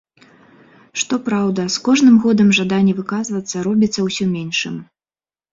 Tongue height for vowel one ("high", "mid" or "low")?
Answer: mid